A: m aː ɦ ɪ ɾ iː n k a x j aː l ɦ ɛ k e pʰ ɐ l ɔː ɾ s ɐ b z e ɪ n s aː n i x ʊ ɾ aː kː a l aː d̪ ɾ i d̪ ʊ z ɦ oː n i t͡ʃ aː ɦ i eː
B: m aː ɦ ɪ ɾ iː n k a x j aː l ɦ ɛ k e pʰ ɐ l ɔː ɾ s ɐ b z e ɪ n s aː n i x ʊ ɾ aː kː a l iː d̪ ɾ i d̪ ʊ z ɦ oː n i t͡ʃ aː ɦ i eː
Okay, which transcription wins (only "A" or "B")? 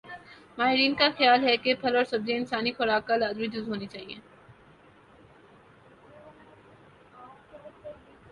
A